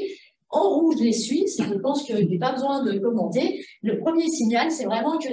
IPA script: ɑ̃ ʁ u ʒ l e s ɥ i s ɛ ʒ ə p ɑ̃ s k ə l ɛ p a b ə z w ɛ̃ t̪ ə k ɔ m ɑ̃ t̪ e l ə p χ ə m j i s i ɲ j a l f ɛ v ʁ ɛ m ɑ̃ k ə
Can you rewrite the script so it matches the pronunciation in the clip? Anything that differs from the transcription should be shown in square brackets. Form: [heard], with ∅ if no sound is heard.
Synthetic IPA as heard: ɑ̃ ʁ u ʒ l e s ɥ i s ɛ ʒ ə p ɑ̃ s k ə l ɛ p a b ə z w ɛ̃ [d̪] ə k ɔ m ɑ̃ t̪ e l ə p χ ə m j [e] s i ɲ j a l [s] ɛ v ʁ ɛ m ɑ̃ k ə